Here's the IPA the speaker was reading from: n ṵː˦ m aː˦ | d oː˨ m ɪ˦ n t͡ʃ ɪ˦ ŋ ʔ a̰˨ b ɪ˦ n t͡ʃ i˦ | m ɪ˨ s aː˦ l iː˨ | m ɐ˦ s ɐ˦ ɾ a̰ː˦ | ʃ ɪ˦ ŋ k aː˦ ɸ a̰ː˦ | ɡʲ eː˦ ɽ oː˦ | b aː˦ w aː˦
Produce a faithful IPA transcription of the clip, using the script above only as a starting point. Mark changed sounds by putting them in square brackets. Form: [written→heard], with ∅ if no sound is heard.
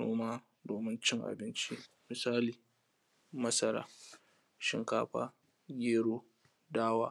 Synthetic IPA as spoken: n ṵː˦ m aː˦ | d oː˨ m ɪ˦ n t͡ʃ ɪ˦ ŋ ʔ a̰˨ b ɪ˦ n t͡ʃ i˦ | m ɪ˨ s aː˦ l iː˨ | m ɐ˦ s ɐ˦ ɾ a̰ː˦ | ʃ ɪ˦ ŋ k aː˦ ɸ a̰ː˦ | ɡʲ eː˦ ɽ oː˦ | [b→d] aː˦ w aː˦